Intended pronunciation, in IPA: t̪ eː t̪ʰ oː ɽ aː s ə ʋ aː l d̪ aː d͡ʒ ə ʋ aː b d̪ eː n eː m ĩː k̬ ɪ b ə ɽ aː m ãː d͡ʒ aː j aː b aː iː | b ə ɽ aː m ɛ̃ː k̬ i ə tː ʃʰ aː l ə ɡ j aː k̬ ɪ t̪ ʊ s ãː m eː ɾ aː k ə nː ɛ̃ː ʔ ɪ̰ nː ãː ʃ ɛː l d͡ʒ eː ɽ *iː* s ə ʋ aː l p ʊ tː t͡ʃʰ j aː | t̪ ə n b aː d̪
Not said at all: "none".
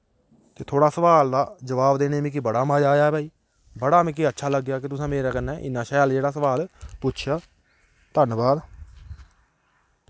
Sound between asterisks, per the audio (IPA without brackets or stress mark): aː